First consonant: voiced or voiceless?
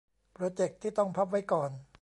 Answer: voiceless